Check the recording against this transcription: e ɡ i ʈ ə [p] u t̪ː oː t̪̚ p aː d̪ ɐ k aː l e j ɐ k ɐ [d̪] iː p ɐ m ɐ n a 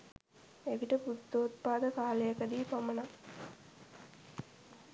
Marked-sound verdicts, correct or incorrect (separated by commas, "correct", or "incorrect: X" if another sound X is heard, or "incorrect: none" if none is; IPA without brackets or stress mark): correct, correct